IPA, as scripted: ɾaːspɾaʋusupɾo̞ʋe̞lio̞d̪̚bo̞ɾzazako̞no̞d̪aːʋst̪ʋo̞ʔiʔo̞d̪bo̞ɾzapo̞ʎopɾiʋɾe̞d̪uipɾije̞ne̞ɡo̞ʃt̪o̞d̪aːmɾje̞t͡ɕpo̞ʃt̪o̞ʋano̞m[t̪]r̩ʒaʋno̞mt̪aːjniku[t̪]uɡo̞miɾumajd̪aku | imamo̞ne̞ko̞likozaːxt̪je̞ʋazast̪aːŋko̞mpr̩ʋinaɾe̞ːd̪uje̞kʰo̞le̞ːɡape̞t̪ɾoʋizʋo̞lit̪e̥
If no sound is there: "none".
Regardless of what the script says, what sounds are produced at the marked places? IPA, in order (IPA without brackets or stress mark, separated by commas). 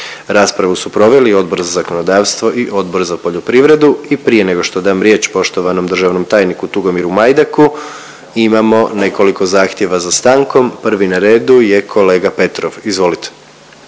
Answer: d̪, t̪